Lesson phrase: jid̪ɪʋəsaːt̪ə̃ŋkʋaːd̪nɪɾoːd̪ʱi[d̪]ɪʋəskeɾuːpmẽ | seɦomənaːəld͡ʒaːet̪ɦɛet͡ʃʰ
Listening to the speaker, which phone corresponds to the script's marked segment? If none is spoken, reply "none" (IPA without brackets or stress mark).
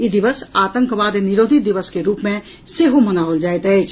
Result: d̪